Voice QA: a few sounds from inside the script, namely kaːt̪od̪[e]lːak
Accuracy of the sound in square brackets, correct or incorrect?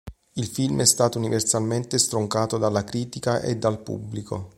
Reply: incorrect